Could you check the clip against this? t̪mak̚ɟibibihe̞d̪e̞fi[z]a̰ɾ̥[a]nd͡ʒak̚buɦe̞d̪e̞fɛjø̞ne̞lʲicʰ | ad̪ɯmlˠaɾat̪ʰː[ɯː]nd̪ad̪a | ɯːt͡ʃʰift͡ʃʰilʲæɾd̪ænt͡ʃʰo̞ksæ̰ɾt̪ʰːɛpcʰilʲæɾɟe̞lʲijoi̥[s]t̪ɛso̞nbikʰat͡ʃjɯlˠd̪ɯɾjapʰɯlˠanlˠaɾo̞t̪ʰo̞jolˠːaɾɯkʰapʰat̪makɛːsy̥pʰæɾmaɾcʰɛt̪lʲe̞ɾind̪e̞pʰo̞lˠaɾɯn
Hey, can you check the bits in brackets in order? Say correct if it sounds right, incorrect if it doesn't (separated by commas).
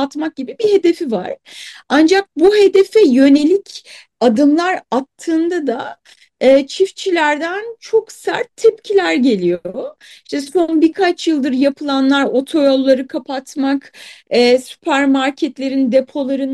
incorrect, correct, correct, incorrect